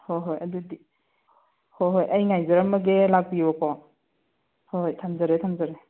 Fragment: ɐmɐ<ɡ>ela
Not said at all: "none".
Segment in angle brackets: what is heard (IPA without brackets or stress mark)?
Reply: ɡ